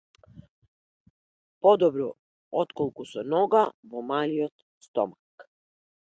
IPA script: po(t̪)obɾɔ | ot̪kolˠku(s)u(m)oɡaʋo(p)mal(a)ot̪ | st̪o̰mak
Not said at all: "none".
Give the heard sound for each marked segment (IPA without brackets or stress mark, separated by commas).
d̪, s, n, none, i